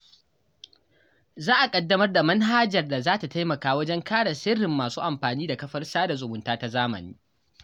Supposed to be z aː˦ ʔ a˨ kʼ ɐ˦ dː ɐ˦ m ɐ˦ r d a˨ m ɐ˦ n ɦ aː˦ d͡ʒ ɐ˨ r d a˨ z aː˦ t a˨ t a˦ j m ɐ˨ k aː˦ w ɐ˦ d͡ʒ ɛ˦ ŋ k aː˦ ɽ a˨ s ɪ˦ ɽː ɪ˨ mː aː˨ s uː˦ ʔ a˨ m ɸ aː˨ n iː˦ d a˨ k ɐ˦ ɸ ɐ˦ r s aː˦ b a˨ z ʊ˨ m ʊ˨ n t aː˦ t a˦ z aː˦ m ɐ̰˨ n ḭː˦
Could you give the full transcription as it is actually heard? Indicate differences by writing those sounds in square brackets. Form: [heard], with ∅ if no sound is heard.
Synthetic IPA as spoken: z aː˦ ʔ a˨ kʼ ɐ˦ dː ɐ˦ m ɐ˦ r d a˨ m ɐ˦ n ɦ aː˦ d͡ʒ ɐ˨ r d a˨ z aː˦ t a˨ t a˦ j m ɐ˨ k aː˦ w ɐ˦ d͡ʒ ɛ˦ ŋ k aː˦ ɽ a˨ s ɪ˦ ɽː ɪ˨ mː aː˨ s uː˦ ʔ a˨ m ɸ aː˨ n iː˦ d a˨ k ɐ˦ ɸ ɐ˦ r s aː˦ [d] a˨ z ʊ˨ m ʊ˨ n t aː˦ t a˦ z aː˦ m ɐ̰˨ n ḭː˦